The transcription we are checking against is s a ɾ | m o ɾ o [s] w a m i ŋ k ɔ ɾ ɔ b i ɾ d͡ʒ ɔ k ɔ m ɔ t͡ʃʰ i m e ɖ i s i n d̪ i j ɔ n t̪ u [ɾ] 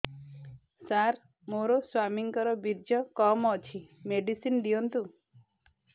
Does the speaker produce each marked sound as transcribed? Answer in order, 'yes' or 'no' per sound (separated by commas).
yes, no